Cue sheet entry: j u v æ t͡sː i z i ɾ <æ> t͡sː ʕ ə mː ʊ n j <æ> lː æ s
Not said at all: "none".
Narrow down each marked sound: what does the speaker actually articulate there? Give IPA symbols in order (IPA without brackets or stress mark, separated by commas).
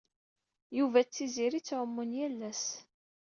i, æ